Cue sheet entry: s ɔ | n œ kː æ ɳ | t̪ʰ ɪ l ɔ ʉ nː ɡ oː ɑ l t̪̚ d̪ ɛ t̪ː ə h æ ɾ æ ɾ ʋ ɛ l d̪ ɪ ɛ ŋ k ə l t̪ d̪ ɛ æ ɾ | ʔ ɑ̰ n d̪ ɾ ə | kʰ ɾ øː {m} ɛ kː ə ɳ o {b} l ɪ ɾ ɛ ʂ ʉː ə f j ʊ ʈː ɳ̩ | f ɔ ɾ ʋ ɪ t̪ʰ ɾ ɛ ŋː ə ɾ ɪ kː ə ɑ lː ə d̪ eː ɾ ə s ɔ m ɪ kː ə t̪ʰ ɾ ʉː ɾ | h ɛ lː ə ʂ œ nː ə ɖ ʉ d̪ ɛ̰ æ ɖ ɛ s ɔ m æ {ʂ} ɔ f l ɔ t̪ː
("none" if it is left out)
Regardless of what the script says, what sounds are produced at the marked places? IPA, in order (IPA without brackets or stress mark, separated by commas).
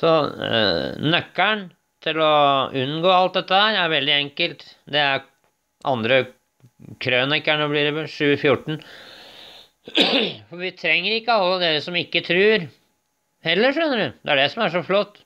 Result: n, b, ʂ